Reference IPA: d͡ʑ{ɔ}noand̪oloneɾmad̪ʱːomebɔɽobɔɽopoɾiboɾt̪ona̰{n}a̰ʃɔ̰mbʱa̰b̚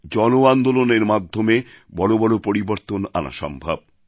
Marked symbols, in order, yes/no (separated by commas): yes, yes